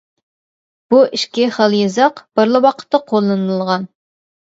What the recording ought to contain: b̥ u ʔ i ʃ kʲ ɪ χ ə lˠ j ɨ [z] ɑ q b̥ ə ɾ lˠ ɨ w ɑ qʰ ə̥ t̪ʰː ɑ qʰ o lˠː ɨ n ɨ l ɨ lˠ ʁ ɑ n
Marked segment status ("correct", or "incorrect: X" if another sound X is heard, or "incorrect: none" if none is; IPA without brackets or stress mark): correct